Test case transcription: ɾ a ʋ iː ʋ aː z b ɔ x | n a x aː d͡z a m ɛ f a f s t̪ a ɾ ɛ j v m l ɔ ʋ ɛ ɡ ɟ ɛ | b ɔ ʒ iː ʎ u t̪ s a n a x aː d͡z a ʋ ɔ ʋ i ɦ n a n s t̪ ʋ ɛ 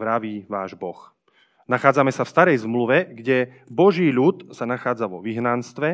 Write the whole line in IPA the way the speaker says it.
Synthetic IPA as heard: ɾ a ʋ iː ʋ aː ʒ b ɔ x | n a x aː d͡z a m ɛ s a f s t̪ a ɾ ɛ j z m l u ʋ ɛ ɡ ɟ ɛ | b ɔ ʒ iː ʎ u t̪ s a n a x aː d͡z a ʋ ɔ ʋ i ɦ n a n s t̪ ʋ ɛ